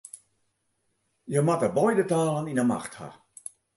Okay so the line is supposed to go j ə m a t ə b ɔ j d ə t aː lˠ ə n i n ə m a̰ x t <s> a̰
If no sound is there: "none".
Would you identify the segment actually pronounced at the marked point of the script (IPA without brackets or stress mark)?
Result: h